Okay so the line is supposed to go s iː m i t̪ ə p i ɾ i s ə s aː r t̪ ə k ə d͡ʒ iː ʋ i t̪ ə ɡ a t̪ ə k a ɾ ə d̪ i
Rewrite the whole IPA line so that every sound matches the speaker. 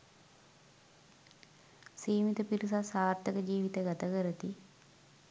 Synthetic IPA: s iː m i t̪ ə p i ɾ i s a s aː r t̪ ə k ə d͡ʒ iː ʋ i t̪ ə ɡ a t̪ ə k ə ɾ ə t̪ i